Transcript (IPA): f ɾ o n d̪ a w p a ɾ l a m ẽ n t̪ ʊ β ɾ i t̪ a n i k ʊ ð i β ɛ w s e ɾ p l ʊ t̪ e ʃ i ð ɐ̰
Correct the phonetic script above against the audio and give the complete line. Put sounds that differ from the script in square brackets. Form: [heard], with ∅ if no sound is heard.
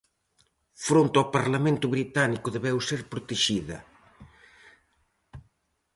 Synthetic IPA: f ɾ o n [t̪] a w p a ɾ l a m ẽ n t̪ ʊ β ɾ i t̪ a n i k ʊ ð [e] β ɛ w s e ɾ p [ɾ] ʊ t̪ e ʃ i ð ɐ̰